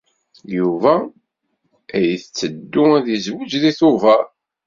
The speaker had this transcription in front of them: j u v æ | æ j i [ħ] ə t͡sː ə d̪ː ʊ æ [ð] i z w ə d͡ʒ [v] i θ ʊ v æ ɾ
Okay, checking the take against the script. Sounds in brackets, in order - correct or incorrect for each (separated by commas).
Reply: incorrect, correct, incorrect